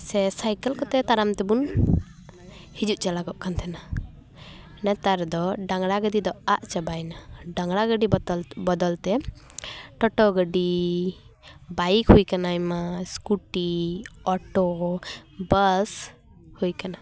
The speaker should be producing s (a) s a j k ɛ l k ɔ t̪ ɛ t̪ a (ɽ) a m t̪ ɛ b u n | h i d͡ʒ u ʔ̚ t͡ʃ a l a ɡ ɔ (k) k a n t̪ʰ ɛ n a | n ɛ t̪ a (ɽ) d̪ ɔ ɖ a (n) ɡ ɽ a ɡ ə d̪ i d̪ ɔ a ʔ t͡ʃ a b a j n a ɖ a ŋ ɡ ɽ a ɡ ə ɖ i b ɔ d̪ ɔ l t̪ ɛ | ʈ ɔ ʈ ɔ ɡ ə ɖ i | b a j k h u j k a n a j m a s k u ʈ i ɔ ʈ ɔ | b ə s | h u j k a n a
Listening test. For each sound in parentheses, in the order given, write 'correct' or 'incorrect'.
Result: incorrect: ɛ, incorrect: ɾ, incorrect: ʔ, incorrect: ɾ, incorrect: ŋ

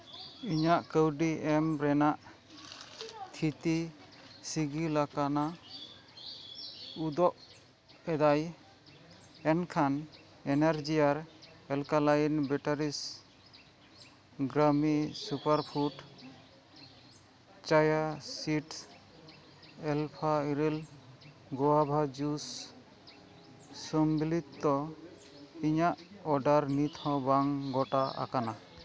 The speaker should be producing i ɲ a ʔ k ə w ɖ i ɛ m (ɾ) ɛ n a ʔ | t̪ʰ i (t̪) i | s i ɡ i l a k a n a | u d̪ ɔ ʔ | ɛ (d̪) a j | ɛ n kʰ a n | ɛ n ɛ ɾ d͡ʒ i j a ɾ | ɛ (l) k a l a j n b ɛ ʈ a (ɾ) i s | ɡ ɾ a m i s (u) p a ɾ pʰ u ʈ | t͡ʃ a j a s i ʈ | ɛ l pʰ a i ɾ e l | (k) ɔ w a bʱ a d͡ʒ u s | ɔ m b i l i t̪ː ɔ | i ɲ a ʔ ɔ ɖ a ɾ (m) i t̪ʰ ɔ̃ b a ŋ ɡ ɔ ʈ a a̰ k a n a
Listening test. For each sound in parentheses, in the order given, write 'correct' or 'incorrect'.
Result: correct, correct, correct, correct, correct, correct, incorrect: ɡ, incorrect: n

